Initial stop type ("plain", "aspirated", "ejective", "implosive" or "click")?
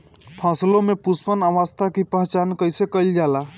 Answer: aspirated